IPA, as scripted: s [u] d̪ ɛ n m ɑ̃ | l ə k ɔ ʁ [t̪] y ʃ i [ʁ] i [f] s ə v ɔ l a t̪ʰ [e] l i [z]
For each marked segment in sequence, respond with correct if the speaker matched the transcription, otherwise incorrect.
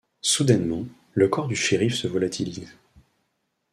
correct, incorrect: d̪, correct, correct, incorrect: i, correct

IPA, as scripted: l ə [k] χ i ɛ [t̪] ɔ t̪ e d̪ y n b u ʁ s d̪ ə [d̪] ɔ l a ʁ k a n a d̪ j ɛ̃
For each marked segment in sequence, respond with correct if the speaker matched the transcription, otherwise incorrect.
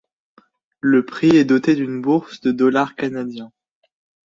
incorrect: p, incorrect: d̪, correct

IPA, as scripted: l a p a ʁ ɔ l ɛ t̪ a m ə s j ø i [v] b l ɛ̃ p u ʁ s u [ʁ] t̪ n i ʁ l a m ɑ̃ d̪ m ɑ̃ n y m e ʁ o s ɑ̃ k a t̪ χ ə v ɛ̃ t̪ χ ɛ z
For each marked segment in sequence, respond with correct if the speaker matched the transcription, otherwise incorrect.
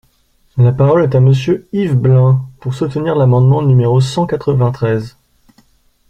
correct, incorrect: none

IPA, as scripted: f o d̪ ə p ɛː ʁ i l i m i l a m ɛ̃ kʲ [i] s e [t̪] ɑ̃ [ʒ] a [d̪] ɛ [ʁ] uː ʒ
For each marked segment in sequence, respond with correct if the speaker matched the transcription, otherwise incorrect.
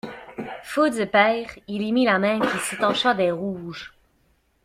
correct, correct, incorrect: ʃ, correct, correct

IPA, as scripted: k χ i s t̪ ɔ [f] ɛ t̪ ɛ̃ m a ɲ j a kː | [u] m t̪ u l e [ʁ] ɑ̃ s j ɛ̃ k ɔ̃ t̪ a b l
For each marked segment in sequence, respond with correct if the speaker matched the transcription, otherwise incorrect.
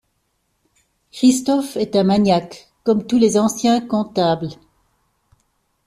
correct, incorrect: ɔ, incorrect: z

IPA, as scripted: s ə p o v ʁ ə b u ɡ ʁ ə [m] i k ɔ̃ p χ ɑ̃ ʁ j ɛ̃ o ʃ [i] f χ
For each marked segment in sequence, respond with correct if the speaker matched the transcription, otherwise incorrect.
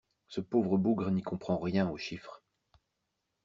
incorrect: n, correct

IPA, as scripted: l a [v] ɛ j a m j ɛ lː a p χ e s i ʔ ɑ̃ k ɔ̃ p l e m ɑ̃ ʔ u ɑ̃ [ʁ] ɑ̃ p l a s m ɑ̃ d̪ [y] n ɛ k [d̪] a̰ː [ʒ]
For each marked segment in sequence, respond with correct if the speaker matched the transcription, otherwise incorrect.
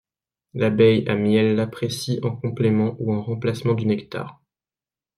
incorrect: b, correct, correct, incorrect: t̪, incorrect: ʁ

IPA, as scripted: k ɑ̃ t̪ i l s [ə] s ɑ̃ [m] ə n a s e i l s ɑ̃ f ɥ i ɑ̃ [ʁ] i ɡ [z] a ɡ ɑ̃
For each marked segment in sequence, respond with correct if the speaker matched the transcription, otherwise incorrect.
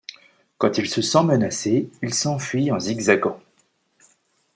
correct, correct, incorrect: z, correct

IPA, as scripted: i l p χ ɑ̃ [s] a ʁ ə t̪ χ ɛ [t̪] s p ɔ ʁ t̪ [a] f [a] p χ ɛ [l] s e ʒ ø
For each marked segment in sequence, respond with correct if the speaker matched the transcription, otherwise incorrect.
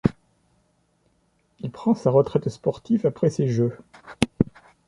correct, correct, incorrect: i, correct, incorrect: none

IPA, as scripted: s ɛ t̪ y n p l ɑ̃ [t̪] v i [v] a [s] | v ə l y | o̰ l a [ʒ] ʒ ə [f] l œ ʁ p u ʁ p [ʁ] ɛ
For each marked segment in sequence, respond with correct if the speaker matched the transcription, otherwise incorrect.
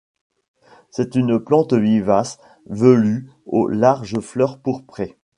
correct, correct, correct, incorrect: ʁ, correct, incorrect: χ

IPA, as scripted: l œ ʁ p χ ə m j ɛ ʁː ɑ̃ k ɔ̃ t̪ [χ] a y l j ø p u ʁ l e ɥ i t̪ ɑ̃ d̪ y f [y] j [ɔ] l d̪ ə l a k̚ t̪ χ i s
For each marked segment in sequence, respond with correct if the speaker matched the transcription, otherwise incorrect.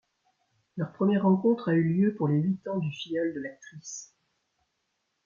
correct, incorrect: i, correct

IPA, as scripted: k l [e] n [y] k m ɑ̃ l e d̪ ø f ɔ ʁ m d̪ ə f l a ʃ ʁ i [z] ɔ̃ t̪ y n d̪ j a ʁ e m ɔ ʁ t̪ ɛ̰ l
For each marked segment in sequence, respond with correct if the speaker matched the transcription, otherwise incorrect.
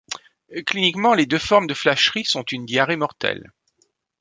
incorrect: i, incorrect: i, incorrect: s

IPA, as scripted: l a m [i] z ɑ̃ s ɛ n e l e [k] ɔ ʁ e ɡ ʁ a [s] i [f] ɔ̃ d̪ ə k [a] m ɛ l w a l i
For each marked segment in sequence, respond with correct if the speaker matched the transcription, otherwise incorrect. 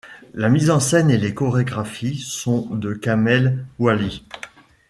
correct, correct, incorrect: f, incorrect: s, correct

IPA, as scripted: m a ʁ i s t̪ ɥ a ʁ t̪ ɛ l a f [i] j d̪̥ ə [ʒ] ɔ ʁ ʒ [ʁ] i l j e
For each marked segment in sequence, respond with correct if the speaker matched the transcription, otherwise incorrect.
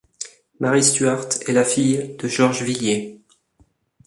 correct, correct, incorrect: v

